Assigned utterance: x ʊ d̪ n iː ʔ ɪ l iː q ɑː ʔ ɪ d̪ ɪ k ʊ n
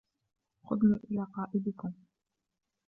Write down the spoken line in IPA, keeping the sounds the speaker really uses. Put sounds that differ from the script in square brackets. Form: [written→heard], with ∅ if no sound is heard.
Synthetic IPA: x ʊ d̪ n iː ʔ ɪ l [iː→aː] q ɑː ʔ ɪ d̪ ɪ k ʊ [n→m]